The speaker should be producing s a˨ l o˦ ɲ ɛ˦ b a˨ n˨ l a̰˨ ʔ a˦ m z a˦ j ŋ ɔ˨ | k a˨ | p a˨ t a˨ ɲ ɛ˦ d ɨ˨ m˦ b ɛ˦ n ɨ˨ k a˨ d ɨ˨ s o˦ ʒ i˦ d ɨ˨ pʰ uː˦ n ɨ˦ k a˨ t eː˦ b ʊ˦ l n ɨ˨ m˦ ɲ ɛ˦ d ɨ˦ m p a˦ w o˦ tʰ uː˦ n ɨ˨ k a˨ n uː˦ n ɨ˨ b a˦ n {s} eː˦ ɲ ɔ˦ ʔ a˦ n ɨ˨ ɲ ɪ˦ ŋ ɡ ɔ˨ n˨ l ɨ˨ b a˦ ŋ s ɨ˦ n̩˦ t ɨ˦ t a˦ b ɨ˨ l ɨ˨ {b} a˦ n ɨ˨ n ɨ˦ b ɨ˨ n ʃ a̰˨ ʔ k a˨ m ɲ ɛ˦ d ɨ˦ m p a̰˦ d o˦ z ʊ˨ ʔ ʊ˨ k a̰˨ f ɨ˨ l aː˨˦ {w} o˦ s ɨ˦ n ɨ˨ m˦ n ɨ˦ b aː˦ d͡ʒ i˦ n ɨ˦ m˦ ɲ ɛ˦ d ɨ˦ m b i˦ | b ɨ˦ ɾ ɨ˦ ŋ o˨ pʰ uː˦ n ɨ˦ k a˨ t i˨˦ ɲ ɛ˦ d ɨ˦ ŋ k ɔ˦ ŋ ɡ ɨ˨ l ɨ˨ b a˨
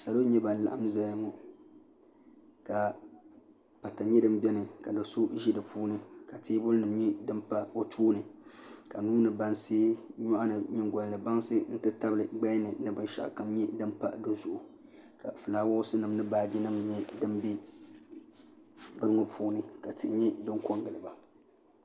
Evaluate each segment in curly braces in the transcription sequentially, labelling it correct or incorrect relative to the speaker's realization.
correct, incorrect: ɡ͡b, correct

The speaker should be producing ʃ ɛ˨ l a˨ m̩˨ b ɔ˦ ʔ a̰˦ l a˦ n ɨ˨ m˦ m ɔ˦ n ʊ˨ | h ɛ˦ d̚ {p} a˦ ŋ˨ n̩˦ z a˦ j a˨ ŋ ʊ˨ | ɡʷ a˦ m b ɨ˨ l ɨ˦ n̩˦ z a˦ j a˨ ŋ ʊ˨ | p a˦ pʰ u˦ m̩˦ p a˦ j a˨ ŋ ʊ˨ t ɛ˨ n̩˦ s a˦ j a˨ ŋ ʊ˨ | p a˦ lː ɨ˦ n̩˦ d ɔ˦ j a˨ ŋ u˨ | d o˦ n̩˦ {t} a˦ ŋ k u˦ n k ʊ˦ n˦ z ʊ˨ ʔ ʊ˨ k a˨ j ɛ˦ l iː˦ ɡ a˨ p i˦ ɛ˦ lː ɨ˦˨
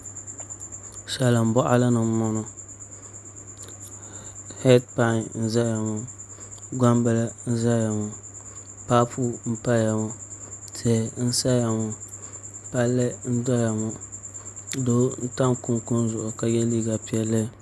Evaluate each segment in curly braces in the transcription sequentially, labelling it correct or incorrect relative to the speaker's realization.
correct, correct

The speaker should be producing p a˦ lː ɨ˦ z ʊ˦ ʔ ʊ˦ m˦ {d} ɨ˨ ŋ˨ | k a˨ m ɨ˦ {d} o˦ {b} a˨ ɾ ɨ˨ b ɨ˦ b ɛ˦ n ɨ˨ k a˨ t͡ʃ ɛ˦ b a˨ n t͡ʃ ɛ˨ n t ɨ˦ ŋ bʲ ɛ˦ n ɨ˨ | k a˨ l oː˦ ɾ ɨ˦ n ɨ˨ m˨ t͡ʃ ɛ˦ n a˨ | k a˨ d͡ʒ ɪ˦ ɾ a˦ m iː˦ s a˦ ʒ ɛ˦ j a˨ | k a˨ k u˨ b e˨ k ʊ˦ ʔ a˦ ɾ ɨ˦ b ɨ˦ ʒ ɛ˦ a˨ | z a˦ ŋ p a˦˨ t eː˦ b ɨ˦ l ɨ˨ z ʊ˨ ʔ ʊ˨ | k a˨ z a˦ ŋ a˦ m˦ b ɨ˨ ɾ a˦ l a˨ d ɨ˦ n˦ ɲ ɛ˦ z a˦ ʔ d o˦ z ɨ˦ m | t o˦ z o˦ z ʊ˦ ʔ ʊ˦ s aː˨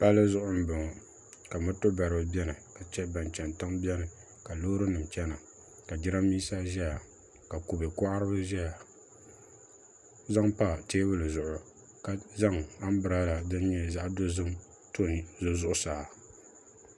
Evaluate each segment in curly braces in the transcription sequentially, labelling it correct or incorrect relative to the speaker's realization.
incorrect: b, incorrect: t, correct

